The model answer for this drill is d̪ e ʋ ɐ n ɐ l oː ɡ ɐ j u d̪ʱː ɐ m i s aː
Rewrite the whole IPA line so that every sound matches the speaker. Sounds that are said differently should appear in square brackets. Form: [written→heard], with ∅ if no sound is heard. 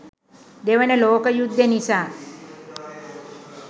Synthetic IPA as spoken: d̪ e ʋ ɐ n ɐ l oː [ɡ→k] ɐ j u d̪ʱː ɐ [m→n] i s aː